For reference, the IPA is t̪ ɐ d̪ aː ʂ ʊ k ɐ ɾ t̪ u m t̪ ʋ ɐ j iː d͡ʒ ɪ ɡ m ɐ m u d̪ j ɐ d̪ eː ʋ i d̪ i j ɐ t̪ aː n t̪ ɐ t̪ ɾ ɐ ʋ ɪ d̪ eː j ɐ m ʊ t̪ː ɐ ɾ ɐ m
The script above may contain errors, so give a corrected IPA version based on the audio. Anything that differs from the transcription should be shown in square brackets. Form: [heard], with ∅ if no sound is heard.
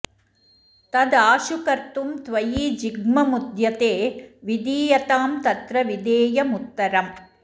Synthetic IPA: t̪ ɐ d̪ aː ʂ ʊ k ɐ ɾ t̪ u m t̪ ʋ ɐ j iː d͡ʒ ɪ ɡ m ɐ m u d̪ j ɐ [t̪] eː ʋ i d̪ [iː] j ɐ t̪ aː [m] t̪ ɐ t̪ ɾ ɐ ʋ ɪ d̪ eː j ɐ m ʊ t̪ː ɐ ɾ ɐ m